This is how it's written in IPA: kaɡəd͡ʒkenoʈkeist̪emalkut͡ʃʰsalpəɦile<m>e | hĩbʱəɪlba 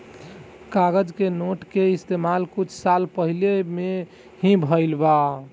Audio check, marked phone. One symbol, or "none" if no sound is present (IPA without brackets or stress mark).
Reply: m